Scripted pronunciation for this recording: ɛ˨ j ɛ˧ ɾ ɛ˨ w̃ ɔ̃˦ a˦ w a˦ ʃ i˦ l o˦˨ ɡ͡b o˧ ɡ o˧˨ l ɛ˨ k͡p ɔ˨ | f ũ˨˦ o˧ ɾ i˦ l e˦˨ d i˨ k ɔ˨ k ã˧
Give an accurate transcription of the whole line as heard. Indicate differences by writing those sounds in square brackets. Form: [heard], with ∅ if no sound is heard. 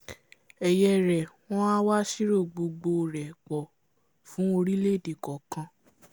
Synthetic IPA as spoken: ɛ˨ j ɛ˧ ɾ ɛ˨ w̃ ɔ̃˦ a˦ w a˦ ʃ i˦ [ɾ] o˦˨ ɡ͡b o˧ [ɡ͡b] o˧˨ [ɾ] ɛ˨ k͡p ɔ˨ | f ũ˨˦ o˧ ɾ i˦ l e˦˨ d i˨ k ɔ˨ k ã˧